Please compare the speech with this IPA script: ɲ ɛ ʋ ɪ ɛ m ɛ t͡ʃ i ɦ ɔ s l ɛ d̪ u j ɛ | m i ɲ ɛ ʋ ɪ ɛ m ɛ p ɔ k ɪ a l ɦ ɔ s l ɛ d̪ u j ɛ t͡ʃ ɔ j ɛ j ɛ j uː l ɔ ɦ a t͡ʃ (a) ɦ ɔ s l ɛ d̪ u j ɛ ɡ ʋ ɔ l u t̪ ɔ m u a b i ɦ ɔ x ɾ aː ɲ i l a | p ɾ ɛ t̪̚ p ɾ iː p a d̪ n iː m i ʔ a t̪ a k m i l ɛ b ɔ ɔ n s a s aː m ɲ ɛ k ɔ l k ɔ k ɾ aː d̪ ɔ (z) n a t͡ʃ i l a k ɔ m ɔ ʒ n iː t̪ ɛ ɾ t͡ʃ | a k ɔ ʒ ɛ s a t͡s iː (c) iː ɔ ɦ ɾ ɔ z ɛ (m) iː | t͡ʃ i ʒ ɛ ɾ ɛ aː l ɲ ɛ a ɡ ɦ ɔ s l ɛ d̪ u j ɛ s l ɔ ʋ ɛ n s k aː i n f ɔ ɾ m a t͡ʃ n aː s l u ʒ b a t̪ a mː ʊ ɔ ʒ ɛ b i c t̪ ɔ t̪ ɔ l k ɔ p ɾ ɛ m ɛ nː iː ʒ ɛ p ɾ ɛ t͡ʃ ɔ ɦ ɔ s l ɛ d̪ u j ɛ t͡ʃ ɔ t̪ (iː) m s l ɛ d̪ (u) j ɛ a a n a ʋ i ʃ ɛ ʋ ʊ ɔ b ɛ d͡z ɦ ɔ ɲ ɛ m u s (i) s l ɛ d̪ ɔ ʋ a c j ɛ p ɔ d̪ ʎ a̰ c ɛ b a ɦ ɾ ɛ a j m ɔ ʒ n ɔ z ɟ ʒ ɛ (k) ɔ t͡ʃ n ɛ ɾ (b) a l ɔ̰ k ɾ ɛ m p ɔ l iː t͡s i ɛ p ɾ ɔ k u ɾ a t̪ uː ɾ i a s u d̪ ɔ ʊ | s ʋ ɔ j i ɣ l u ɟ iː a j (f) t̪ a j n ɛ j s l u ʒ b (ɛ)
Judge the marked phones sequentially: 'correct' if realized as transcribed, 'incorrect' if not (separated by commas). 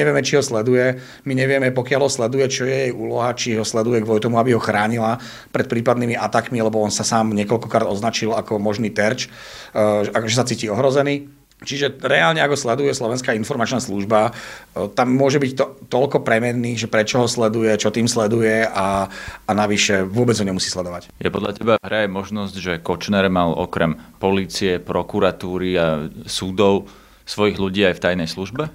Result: incorrect, correct, correct, incorrect, correct, correct, incorrect, correct, incorrect, correct, correct